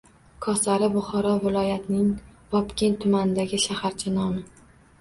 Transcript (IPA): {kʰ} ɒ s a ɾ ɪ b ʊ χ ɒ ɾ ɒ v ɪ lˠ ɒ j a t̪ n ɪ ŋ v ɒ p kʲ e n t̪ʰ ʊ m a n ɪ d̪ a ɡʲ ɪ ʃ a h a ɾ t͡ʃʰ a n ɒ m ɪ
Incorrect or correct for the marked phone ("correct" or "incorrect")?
correct